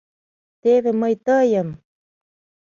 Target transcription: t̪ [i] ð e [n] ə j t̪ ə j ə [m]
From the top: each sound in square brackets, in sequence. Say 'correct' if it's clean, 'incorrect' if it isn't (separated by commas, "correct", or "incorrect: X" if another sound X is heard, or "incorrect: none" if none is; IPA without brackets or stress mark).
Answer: incorrect: e, incorrect: m, correct